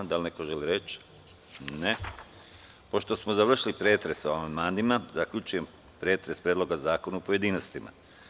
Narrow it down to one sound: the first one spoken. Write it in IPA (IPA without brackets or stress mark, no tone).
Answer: d̪